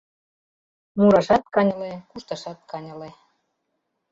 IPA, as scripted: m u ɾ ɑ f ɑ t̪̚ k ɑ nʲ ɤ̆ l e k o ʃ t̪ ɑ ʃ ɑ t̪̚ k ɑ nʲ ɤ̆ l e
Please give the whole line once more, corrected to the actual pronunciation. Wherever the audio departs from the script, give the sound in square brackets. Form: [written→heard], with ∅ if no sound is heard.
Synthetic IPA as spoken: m u ɾ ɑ [f→ʃ] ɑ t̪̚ k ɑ nʲ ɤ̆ l e k [o→u] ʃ t̪ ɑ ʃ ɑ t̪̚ k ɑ nʲ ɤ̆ l e